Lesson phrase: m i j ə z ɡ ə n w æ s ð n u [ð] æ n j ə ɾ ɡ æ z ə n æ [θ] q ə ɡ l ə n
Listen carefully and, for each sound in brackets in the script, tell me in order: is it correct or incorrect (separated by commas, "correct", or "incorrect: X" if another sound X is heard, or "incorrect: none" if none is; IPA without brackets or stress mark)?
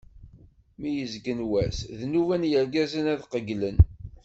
incorrect: v, incorrect: ð